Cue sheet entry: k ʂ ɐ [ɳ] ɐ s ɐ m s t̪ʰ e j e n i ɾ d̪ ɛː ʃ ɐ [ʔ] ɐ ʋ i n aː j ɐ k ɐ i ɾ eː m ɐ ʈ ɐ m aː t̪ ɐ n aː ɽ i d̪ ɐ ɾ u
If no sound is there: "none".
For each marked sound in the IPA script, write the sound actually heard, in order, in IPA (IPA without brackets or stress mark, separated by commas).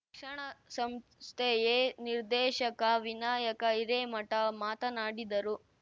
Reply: ɳ, k